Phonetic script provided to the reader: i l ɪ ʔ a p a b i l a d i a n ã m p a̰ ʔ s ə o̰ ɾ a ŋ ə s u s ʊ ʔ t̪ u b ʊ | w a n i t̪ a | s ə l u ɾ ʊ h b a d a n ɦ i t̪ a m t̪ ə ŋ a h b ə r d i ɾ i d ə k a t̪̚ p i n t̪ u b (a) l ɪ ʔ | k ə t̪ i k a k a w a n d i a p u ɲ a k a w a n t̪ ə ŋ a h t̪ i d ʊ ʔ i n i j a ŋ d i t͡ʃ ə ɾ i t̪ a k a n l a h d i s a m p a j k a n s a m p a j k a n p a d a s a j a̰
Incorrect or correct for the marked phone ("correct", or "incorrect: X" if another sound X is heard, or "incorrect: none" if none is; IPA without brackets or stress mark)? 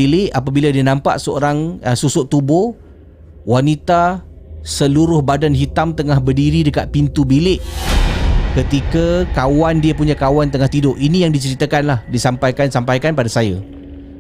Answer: incorrect: i